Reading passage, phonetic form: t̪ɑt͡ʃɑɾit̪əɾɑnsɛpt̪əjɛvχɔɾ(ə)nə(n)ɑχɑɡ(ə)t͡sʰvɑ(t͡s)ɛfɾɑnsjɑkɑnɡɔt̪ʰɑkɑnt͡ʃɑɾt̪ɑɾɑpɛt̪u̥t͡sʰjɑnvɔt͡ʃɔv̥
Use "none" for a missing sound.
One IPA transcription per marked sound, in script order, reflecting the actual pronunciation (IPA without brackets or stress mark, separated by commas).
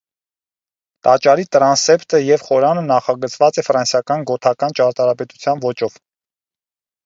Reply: ɑ, n, ə, t͡s